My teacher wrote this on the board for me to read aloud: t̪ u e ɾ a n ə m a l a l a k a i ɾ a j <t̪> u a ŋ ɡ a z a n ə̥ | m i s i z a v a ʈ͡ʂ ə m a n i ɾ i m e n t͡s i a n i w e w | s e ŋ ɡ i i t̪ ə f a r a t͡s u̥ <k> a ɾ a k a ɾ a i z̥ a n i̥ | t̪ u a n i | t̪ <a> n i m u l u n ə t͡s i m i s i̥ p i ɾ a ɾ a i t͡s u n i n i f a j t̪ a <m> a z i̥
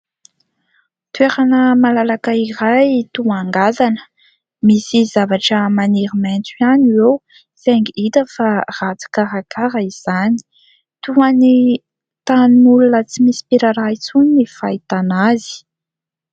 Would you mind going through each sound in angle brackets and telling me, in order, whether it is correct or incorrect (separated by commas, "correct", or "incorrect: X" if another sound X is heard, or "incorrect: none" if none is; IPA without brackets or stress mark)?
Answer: correct, correct, correct, incorrect: n